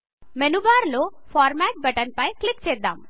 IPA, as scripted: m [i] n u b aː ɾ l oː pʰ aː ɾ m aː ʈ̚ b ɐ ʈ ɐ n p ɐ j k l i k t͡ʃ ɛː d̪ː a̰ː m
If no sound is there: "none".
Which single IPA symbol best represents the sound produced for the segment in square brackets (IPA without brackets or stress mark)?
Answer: e